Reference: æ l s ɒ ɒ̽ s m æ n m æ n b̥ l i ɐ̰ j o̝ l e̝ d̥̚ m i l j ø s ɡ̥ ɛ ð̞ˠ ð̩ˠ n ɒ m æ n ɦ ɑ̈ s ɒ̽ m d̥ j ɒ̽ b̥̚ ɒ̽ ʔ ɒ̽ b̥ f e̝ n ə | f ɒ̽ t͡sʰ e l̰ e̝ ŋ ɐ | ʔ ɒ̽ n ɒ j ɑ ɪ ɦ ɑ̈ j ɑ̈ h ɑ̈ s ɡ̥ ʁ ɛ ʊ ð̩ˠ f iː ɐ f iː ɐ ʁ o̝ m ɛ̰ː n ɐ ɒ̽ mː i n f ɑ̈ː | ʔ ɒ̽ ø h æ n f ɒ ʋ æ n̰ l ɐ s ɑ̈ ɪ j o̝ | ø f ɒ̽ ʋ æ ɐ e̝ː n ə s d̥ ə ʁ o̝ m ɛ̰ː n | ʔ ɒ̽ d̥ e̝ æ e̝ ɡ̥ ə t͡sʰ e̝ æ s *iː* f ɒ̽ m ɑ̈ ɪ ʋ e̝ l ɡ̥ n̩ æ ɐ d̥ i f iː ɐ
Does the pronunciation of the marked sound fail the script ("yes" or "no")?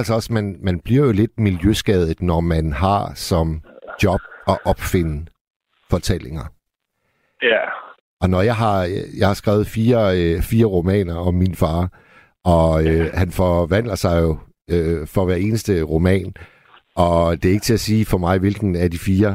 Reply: no